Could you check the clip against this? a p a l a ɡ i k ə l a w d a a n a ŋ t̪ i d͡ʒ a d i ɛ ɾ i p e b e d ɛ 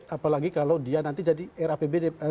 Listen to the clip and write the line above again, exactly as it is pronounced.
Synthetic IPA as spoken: a p a l a ɡ i k a l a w d i a n a n t̪ i d͡ʒ a d i ɛ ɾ a p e b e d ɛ